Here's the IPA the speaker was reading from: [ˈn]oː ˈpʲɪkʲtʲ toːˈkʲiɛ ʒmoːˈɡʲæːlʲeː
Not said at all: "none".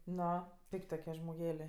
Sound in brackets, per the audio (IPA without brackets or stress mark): n